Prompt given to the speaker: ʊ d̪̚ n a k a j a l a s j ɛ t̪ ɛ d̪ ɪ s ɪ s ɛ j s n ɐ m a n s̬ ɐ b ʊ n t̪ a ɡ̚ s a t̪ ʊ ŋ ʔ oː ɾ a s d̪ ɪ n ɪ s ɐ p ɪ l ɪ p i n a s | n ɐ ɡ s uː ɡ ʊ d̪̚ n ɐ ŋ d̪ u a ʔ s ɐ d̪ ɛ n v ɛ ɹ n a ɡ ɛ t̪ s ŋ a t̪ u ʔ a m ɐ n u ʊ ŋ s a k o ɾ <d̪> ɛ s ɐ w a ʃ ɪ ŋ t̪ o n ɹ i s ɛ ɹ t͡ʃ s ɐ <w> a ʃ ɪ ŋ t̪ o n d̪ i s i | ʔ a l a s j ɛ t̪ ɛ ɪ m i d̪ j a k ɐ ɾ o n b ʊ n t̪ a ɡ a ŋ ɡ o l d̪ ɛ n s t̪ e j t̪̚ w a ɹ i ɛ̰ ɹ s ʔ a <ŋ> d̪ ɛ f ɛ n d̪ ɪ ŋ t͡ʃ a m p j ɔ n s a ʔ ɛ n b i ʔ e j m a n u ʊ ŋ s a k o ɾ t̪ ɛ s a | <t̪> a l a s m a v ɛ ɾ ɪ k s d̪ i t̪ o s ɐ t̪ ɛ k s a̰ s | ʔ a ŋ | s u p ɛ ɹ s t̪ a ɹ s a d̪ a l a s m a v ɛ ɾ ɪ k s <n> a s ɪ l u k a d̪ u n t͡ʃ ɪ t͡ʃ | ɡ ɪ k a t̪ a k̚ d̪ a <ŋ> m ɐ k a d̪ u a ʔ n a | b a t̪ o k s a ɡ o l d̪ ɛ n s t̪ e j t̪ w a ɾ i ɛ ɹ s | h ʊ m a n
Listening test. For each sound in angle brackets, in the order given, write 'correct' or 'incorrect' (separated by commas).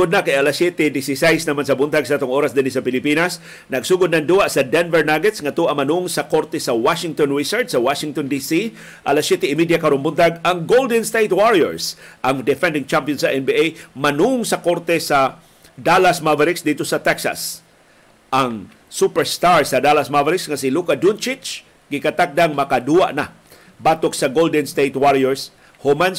incorrect, correct, correct, incorrect, incorrect, correct